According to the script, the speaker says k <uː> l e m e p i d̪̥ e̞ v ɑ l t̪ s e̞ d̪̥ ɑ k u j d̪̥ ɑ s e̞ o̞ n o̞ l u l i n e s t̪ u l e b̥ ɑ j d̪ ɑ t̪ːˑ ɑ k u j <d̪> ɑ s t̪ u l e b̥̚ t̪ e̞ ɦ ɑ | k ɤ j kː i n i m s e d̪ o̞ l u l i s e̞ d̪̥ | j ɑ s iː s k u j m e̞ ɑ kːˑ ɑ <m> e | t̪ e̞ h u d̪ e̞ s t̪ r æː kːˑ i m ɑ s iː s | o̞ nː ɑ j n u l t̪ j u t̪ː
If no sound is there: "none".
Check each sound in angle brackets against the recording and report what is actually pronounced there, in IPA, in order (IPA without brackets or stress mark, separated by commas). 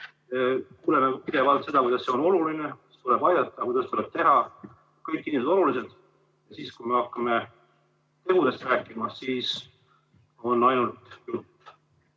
uː, d̪, m